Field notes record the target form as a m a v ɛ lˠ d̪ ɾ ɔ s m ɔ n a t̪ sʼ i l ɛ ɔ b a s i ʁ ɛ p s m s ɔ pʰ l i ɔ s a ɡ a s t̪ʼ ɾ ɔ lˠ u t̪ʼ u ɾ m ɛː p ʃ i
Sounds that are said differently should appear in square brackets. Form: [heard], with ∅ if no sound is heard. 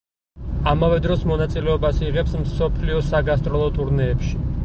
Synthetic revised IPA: a m a v ɛ [∅] d̪ ɾ ɔ s m ɔ n a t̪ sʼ i l ɛ ɔ b a s i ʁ ɛ p s m s ɔ pʰ l i ɔ s a ɡ a s t̪ʼ ɾ ɔ lˠ [ɔ] t̪ʼ u ɾ [n] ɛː p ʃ i